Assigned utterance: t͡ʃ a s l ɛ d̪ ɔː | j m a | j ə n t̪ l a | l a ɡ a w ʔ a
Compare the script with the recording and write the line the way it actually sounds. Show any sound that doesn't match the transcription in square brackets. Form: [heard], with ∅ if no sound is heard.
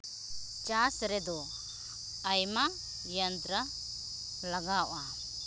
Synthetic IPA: t͡ʃ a s [ɾ] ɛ d̪ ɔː | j m a | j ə n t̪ [ɾ] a | l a ɡ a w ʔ a